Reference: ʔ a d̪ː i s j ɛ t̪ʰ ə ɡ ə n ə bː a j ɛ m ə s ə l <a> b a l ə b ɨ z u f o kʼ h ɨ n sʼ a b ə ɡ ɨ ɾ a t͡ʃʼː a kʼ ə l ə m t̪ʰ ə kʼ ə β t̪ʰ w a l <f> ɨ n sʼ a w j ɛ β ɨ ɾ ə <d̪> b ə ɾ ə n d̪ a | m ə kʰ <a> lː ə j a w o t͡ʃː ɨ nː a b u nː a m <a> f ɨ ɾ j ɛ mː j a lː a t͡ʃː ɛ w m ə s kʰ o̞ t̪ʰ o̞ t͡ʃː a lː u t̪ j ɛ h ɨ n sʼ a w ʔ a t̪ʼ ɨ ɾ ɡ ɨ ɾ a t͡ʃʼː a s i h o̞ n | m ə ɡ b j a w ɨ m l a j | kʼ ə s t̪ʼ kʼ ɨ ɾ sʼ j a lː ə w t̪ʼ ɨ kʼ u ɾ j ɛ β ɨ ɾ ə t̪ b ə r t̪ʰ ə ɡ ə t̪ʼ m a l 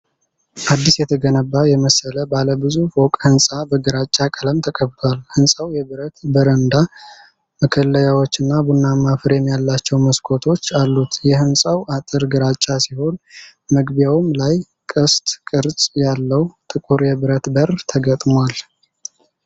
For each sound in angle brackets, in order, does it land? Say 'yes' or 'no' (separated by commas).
no, no, no, no, yes